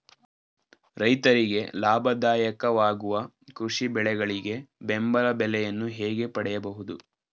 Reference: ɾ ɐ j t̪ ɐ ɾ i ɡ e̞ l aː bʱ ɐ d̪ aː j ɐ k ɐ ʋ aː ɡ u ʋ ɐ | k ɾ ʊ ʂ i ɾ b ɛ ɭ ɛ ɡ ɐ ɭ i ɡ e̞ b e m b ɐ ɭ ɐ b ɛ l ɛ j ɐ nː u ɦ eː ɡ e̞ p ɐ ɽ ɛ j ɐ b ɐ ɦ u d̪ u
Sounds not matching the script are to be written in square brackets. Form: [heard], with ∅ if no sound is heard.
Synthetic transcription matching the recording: ɾ ɐ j t̪ ɐ ɾ i ɡ e̞ l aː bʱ ɐ d̪ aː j ɐ k ɐ ʋ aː ɡ u ʋ ɐ | k ɾ [u] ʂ i [∅] b ɛ ɭ ɛ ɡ ɐ ɭ i ɡ e̞ b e m b ɐ [l] ɐ b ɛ l ɛ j ɐ nː u ɦ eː ɡ e̞ p ɐ ɽ ɛ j ɐ b ɐ ɦ u d̪ u